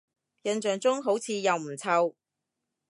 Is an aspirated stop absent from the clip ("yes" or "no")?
no